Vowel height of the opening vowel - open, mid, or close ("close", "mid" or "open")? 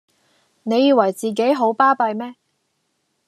mid